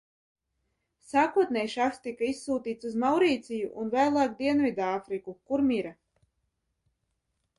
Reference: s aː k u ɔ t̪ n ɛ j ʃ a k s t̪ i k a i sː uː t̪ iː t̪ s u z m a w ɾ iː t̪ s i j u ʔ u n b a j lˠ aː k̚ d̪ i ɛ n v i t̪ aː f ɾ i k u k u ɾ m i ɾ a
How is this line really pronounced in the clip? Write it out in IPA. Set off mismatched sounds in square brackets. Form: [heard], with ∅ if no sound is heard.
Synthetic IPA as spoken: s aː k u ɔ t̪ n ɛ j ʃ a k s t̪ i k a i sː uː t̪ iː t̪ s u z m a w ɾ iː t̪ s i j u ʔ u n [v] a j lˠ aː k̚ d̪ i ɛ n v i [d̪] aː f ɾ i k u k u ɾ m i ɾ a